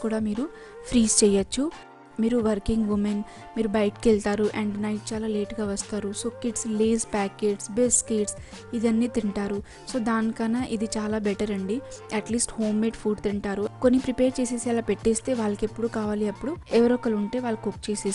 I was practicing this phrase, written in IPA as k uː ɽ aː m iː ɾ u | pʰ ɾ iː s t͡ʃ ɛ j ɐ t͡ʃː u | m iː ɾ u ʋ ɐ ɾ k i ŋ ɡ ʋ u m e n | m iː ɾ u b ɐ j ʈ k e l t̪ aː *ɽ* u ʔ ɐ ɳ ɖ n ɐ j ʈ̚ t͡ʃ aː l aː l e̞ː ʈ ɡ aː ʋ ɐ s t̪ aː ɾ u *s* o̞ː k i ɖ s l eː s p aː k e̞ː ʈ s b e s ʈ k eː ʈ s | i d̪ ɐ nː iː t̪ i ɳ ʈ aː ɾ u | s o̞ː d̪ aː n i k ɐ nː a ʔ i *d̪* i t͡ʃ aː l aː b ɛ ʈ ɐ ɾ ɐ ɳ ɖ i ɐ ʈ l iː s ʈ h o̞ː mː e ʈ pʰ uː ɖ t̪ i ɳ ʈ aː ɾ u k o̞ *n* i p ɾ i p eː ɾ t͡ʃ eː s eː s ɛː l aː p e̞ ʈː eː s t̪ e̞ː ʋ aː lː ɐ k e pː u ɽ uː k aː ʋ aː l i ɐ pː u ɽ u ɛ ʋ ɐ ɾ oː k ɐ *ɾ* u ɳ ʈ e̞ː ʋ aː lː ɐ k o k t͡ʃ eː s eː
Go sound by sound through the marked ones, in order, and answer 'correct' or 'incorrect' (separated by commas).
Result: incorrect, correct, correct, incorrect, incorrect